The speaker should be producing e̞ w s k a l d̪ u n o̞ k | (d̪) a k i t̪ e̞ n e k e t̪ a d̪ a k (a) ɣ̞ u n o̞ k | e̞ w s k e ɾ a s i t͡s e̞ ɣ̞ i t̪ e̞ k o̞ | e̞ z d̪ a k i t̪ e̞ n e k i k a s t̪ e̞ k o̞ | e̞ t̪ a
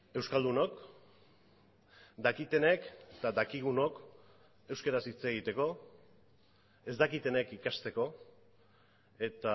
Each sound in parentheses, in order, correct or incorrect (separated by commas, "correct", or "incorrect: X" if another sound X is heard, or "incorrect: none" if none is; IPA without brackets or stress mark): correct, incorrect: i